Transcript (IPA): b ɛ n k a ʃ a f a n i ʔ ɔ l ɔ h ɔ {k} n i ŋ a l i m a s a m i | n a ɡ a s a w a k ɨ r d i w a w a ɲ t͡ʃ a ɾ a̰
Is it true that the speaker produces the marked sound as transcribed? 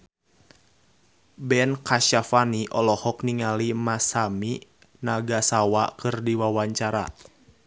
yes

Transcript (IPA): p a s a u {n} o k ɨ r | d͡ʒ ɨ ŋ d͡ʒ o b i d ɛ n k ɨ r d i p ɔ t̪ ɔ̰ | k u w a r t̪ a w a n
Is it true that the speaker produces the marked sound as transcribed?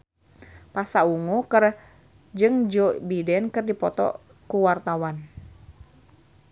no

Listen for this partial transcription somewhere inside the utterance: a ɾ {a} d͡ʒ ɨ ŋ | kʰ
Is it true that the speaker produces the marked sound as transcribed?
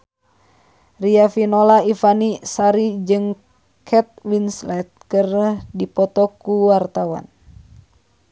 no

